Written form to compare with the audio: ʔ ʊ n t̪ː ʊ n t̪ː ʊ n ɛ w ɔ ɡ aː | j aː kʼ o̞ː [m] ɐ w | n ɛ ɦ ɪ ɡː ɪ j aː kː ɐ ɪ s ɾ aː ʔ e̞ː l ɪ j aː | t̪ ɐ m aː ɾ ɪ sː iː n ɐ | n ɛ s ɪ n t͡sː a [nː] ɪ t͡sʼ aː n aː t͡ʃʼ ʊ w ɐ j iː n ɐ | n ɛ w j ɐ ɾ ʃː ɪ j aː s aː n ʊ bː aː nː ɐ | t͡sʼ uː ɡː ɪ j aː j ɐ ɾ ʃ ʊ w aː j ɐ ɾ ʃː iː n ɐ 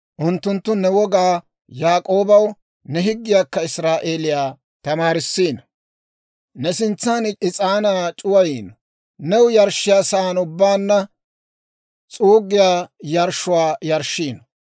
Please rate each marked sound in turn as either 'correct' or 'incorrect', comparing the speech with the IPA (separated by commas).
incorrect, incorrect